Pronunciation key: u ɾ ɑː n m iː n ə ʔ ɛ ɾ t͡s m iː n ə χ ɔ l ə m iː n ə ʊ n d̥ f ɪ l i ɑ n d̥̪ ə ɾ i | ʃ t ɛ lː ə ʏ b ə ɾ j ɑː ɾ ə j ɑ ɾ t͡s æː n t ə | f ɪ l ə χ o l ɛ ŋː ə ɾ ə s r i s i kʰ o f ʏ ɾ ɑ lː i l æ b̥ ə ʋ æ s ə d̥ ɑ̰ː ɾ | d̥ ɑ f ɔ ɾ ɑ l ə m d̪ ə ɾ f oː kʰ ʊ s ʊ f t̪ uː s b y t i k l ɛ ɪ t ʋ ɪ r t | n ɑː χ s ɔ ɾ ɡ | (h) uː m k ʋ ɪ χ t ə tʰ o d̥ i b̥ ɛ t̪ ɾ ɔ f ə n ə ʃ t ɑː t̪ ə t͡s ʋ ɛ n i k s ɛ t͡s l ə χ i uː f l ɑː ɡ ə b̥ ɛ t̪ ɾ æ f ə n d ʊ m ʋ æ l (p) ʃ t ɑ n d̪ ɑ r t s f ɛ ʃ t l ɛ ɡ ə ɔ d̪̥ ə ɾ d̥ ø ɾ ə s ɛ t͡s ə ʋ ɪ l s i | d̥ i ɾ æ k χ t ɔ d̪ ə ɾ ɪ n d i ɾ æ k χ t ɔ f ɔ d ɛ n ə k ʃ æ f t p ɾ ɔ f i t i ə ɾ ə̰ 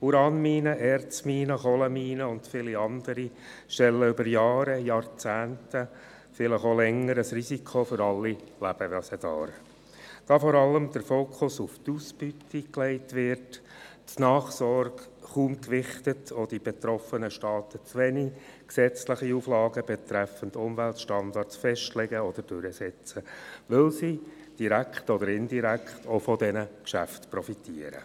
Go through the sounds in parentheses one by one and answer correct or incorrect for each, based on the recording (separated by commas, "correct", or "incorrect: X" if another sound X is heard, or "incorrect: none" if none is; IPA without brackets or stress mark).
incorrect: χ, incorrect: t